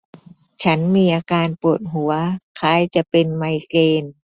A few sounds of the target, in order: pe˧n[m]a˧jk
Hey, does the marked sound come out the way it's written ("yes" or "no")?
yes